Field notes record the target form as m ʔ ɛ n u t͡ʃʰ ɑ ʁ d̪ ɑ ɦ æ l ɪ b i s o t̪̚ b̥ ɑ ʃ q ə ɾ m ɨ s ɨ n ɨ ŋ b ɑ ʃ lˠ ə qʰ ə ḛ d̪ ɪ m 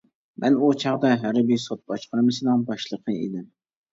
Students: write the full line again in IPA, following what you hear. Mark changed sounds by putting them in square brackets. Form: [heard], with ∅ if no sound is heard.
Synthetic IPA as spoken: m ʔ ɛ n u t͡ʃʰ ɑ ʁ d̪ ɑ ɦ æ [ɾ] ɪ b i s o t̪̚ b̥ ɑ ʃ q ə ɾ m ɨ s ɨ n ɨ ŋ b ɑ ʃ lˠ ə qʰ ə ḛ d̪ ɪ m